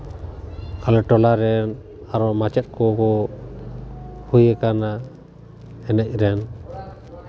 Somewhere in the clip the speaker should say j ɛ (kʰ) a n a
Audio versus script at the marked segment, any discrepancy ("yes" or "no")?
yes